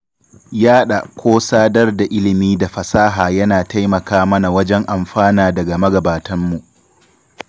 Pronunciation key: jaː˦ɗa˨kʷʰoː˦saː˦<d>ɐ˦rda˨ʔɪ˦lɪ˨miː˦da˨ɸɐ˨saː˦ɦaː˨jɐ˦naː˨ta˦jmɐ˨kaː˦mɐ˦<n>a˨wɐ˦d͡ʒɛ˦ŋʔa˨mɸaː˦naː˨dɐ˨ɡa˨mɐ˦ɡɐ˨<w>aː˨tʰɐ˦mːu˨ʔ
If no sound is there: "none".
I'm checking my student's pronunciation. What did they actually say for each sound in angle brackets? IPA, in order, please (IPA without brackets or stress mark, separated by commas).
d, n, b